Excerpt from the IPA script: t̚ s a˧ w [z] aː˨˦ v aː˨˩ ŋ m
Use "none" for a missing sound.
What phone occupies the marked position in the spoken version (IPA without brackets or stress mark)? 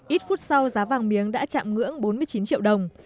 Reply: z